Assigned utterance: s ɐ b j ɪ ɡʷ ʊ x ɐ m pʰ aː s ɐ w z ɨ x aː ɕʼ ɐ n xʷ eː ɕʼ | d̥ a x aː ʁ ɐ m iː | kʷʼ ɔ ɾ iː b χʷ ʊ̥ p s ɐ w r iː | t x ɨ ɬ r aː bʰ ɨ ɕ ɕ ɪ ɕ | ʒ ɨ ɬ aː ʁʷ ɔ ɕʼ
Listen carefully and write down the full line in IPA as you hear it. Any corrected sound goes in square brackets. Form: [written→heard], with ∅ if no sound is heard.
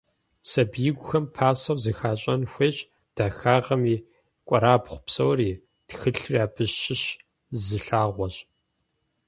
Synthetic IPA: s ɐ b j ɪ ɡʷ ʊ x ɐ m pʰ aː s ɐ w z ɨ x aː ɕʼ ɐ n xʷ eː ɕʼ | d̥ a x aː ʁ ɐ m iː | kʷʼ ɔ ɾ [iː→aː] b χʷ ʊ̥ p s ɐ w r iː | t x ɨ ɬ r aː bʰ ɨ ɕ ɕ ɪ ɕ | [ʒ→z] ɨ ɬ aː ʁʷ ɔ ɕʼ

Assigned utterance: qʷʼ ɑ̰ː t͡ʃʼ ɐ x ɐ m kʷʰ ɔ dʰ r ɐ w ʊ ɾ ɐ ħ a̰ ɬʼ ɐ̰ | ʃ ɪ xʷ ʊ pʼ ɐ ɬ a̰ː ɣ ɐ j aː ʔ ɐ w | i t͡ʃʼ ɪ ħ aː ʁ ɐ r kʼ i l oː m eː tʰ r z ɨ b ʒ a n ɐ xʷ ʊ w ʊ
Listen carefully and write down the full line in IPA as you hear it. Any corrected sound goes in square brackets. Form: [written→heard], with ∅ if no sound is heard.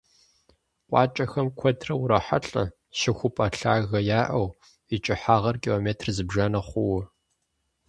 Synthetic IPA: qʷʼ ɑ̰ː t͡ʃʼ ɐ x ɐ m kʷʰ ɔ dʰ r ɐ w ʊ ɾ ɐ ħ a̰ ɬʼ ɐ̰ | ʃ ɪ xʷ ʊ pʼ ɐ ɬ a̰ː ɣ ɐ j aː ʔ ɐ w | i t͡ʃʼ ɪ ħ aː ʁ ɐ r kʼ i l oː m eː tʰ r z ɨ b ʒ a n ɐ [xʷ→χʷ] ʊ w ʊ

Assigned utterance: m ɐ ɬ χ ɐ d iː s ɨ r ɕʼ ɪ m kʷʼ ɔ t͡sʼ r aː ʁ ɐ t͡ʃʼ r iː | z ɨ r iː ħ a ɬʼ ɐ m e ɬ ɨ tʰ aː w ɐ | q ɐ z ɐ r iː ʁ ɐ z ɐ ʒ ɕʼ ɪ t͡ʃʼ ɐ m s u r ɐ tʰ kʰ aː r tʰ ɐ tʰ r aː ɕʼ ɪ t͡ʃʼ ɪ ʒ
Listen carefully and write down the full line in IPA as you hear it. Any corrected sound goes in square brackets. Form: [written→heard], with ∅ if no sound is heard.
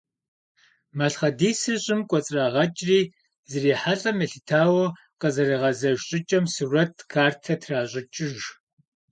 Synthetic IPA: m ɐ ɬ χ ɐ d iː s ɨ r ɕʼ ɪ m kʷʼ ɔ t͡sʼ r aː ʁ ɐ t͡ʃʼ r iː | z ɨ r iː ħ a ɬʼ ɐ m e ɬ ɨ tʰ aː w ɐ | q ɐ z ɐ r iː ʁ ɐ z ɐ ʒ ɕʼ ɪ t͡ʃʼ ɐ m s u r ɐ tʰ kʰ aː r tʰ ɐ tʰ r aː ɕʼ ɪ t͡ʃʼ ɪ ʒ

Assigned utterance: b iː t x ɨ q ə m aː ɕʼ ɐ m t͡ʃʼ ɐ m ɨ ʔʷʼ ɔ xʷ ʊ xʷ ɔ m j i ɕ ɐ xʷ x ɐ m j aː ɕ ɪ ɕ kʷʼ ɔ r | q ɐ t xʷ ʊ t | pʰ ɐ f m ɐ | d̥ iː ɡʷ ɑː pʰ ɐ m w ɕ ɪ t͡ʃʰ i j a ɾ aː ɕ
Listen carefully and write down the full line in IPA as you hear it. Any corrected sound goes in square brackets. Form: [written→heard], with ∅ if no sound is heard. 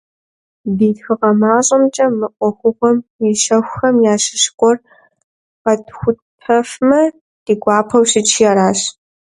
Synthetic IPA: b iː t x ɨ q [ə→ɐ] m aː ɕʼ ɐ m t͡ʃʼ ɐ m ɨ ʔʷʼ ɔ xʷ ʊ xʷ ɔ m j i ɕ ɐ xʷ x ɐ m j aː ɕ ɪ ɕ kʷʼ ɔ r | q ɐ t xʷ ʊ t | pʰ ɐ f m ɐ | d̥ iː ɡʷ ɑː pʰ ɐ [m→∅] w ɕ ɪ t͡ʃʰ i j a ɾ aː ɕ

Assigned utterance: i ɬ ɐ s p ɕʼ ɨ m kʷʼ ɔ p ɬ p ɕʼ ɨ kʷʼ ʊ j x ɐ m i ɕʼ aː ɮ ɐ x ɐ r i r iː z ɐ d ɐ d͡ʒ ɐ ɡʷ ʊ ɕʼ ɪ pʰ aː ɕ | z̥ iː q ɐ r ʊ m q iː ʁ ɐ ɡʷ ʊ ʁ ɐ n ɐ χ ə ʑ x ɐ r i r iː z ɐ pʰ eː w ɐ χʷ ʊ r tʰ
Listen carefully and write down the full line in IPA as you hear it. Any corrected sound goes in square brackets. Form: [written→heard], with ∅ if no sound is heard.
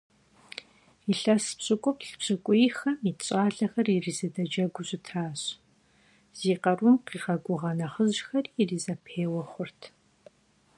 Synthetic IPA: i ɬ ɐ s p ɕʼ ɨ [m→∅] kʷʼ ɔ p ɬ p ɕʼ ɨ kʷʼ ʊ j x ɐ m i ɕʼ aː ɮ ɐ x ɐ r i r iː z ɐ d ɐ d͡ʒ ɐ ɡʷ ʊ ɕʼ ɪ [pʰ→tʰ] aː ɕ | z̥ iː q ɐ r ʊ m q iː ʁ ɐ ɡʷ ʊ ʁ ɐ n ɐ χ ə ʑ x ɐ r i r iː z ɐ pʰ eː w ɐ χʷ ʊ r tʰ

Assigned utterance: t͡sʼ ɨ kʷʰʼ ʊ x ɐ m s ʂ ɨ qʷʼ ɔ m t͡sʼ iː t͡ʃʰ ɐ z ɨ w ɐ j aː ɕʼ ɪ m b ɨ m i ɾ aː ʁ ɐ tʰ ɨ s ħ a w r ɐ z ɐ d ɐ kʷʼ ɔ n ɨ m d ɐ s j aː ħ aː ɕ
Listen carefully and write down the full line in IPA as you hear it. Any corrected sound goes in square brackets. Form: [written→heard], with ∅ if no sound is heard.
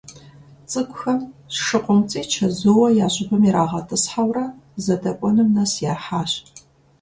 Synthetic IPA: t͡sʼ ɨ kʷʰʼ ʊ x ɐ m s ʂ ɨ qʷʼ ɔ m t͡sʼ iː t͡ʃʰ ɐ z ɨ w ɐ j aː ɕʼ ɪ [m→∅] b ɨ m i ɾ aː ʁ ɐ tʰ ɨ s ħ a w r ɐ z ɐ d ɐ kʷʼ ɔ n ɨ m [d→n] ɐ s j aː ħ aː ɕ

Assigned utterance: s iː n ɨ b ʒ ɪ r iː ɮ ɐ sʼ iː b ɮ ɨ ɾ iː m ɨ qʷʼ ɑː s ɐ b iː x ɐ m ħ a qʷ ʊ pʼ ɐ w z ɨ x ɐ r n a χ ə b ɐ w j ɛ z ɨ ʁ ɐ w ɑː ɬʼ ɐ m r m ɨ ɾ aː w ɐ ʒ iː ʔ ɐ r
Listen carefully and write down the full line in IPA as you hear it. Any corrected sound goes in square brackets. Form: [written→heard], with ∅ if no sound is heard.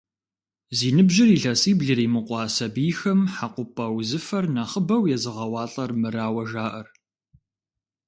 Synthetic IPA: [s→z] iː n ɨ b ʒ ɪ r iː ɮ ɐ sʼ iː b ɮ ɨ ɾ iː m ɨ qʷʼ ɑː s ɐ b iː x ɐ m ħ a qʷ ʊ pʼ ɐ w z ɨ [x→f] ɐ r n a χ ə b ɐ w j ɛ z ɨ ʁ ɐ w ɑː ɬʼ ɐ [m→∅] r m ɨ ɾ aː w ɐ ʒ [iː→aː] ʔ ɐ r

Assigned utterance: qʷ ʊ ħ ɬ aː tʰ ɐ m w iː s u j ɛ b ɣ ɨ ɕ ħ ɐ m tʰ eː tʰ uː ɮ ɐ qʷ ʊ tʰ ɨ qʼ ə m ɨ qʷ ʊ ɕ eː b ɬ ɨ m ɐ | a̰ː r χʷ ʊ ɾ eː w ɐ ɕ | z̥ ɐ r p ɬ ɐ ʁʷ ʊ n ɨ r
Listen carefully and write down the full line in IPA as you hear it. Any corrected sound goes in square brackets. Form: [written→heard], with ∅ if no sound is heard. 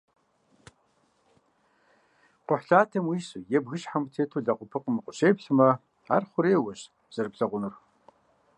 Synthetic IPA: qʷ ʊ ħ ɬ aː tʰ ɐ m w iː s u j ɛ b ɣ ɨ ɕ ħ [ɐ→a] m tʰ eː tʰ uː ɮ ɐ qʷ ʊ [tʰ→pʰ] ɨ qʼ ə m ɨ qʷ ʊ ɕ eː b ɬ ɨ m ɐ | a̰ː r χʷ ʊ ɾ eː w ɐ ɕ | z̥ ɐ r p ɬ ɐ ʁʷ ʊ n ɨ r

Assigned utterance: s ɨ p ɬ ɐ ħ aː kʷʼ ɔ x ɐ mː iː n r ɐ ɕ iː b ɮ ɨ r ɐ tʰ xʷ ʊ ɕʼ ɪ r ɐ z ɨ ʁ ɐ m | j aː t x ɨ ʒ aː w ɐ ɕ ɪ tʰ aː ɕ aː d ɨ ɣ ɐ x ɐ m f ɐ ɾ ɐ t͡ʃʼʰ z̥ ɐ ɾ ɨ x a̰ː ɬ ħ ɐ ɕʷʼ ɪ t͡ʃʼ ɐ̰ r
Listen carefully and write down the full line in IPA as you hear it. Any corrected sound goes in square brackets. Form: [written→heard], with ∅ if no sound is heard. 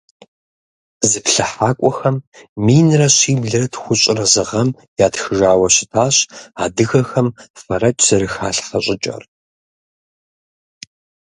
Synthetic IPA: [s→z] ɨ p ɬ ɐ ħ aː kʷʼ ɔ x ɐ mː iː n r ɐ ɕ iː b ɮ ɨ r ɐ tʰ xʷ ʊ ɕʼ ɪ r ɐ z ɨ ʁ ɐ m | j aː t x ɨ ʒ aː w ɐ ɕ ɪ tʰ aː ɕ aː d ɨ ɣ ɐ x ɐ m f ɐ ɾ ɐ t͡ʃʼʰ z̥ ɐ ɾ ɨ x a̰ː ɬ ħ ɐ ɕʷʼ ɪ t͡ʃʼ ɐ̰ r

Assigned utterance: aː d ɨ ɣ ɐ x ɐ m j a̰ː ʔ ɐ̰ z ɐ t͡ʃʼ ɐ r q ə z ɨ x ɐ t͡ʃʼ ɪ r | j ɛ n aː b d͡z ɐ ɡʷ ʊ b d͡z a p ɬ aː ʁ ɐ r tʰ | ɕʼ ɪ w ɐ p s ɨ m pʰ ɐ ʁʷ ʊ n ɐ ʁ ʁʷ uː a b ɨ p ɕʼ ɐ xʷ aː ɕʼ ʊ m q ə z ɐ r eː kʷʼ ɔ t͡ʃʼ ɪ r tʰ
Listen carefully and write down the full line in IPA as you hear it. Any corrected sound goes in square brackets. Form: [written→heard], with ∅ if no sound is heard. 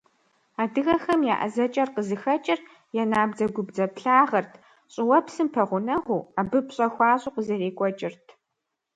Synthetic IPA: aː d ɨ ɣ ɐ x ɐ m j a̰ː ʔ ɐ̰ z ɐ t͡ʃʼ ɐ r q ə z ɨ x ɐ t͡ʃʼ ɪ r | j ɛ n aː b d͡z ɐ ɡʷ ʊ b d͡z [a→ɐ] p ɬ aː ʁ ɐ r tʰ | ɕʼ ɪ w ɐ p s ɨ m pʰ ɐ ʁʷ ʊ n ɐ ʁ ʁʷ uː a b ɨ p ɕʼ ɐ xʷ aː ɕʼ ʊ [m→∅] q ə z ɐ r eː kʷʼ ɔ t͡ʃʼ ɪ r tʰ

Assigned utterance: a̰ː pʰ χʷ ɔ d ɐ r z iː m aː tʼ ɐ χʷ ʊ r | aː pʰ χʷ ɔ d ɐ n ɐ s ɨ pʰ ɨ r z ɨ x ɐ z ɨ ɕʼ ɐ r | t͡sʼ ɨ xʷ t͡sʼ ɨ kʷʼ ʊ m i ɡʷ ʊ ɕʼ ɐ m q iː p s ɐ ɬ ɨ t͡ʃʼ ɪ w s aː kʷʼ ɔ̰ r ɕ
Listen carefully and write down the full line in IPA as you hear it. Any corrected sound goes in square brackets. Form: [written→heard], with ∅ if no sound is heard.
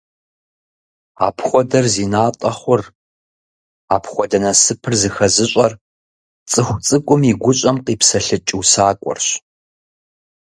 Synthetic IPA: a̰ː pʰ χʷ ɔ d ɐ r z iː [m→n] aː tʼ ɐ χʷ ʊ r | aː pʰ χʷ ɔ d ɐ n ɐ s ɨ pʰ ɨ r z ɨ x ɐ z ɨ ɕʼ ɐ r | t͡sʼ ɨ xʷ t͡sʼ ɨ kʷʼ ʊ m i ɡʷ ʊ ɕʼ ɐ m q iː p s ɐ ɬ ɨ t͡ʃʼ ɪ w s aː kʷʼ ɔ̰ r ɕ

